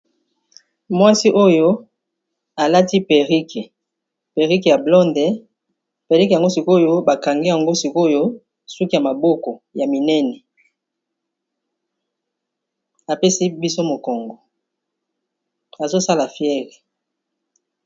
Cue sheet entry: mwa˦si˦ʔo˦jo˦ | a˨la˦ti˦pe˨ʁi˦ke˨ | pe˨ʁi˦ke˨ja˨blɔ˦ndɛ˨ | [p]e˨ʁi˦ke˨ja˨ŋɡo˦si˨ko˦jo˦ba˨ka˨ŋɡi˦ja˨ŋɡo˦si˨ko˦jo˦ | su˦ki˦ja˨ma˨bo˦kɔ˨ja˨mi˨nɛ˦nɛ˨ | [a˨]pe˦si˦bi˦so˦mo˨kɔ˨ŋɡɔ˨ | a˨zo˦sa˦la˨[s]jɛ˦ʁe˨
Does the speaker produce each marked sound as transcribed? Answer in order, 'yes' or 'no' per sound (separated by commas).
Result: yes, yes, no